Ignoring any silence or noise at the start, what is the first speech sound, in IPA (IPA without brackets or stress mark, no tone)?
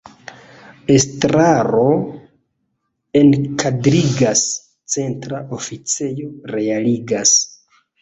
e̞